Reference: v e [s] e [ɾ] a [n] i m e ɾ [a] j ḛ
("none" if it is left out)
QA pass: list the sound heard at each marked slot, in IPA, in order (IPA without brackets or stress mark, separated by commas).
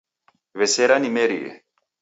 s, ɾ, n, i